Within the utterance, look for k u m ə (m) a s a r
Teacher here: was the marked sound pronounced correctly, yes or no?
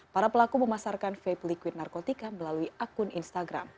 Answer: yes